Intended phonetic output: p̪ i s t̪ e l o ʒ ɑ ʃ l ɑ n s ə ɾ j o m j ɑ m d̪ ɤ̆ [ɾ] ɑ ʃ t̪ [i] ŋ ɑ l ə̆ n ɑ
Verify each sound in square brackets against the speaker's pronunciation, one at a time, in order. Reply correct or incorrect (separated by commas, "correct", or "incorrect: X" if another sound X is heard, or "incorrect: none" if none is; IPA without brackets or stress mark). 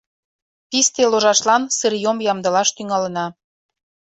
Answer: incorrect: l, incorrect: y